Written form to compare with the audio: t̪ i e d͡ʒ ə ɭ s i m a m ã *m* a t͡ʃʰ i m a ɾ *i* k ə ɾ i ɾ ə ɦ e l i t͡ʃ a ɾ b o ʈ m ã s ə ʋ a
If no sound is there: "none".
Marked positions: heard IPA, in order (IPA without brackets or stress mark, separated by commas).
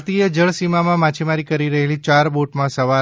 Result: m, i